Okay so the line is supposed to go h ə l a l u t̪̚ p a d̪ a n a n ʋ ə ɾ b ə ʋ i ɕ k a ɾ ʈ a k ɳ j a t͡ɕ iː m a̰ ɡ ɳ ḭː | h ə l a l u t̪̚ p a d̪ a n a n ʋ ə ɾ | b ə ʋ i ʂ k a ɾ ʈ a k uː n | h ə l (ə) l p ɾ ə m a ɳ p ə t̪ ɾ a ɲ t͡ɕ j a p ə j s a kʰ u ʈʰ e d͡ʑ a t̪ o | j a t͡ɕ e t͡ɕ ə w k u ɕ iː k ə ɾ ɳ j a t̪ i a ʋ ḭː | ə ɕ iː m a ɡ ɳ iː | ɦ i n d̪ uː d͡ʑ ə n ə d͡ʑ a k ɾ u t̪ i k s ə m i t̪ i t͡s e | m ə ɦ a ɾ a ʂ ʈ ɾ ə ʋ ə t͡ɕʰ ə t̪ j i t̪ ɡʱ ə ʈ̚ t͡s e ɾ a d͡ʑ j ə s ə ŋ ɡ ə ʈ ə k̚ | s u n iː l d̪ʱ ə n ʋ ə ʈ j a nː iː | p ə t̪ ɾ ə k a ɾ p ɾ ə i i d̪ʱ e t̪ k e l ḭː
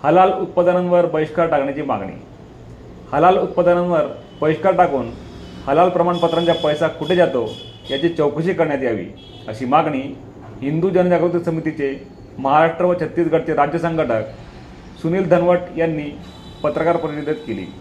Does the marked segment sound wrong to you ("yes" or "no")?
yes